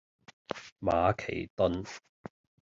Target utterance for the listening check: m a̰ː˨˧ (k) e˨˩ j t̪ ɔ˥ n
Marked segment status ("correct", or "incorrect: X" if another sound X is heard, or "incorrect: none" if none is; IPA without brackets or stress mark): incorrect: kʰ